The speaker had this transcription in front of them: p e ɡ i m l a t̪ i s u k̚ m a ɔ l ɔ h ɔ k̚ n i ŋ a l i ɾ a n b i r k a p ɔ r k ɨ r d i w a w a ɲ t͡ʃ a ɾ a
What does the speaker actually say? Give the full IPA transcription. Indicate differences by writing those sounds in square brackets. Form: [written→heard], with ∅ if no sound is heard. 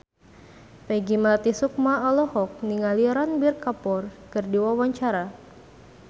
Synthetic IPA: p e ɡ i m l a t̪ i s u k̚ m a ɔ l ɔ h ɔ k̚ n i ŋ a l i ɾ a n b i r k a p ɔ r k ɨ r d i w a w a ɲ t͡ʃ a ɾ a